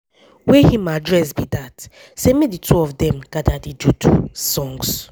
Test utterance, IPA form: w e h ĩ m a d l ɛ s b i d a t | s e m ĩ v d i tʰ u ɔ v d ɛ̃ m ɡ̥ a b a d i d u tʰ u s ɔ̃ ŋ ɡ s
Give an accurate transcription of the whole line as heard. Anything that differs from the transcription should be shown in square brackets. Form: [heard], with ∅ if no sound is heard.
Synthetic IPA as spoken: w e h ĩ m a d [ɹ] ɛ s b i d a t | s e m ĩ [∅] d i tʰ u ɔ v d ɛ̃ m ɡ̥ a [d] a d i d u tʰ u s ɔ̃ ŋ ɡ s